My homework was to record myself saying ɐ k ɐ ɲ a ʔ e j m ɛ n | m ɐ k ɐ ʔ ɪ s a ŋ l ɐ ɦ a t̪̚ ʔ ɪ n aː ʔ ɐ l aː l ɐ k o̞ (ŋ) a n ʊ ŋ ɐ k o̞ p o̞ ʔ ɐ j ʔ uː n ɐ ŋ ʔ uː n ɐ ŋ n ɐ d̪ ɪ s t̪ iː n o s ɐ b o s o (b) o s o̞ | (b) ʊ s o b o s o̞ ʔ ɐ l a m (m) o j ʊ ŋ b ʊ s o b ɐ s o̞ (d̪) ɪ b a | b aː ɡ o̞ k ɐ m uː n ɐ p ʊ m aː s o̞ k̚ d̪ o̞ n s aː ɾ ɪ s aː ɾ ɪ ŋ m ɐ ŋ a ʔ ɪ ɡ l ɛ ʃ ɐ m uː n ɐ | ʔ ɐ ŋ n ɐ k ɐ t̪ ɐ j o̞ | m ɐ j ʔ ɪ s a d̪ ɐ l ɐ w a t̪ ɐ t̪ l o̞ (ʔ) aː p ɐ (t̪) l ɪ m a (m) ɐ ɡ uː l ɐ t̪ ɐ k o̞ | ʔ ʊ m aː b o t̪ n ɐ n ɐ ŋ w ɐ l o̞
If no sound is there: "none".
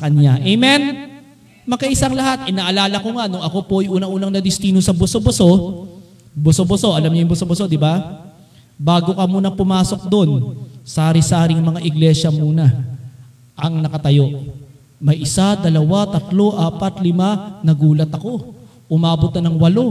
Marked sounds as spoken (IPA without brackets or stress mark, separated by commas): ŋ, b, b, ɲ, d̪, ʔ, t̪, n